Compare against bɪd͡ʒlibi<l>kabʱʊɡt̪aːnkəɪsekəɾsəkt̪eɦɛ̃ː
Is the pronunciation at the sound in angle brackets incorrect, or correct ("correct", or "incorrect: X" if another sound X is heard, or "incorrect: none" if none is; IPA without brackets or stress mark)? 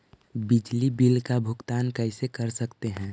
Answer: correct